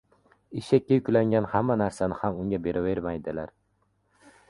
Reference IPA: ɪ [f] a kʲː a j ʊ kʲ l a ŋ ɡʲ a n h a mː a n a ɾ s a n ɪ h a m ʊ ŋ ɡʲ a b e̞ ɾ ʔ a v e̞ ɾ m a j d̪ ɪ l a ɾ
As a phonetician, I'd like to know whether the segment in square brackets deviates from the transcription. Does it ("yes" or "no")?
yes